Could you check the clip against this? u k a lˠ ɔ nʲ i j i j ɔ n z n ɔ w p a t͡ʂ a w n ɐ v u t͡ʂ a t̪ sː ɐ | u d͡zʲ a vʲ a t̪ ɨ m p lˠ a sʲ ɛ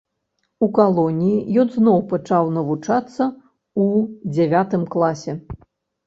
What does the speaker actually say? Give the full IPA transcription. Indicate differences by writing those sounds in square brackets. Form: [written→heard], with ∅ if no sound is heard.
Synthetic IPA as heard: u k a lˠ ɔ nʲ i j i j ɔ n z n ɔ w p a t͡ʂ a w n ɐ v u t͡ʂ a t̪ sː ɐ | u d͡zʲ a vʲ a t̪ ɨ m [p→k] lˠ a sʲ ɛ